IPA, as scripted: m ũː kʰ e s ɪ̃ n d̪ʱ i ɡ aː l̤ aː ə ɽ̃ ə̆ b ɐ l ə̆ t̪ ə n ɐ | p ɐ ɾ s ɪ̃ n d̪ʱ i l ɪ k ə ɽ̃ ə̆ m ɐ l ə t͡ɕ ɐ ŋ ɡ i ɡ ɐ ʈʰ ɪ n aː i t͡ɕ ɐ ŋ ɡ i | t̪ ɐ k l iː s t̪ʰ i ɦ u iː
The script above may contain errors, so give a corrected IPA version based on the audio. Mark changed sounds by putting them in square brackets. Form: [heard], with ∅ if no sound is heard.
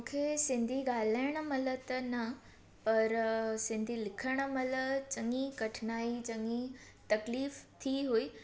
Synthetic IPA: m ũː kʰ e s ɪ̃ n d̪ʱ i ɡ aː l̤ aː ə ɽ̃ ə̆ [m] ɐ l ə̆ t̪ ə n ɐ | p ɐ ɾ s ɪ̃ n d̪ʱ i l ɪ [kʰ] ə ɽ̃ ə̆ m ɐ l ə t͡ɕ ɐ ŋ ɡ i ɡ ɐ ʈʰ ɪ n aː i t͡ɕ ɐ ŋ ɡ i | t̪ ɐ k l iː [f] t̪ʰ i ɦ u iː